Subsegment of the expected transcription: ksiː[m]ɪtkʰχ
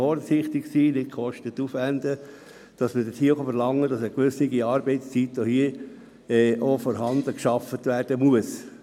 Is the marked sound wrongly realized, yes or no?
yes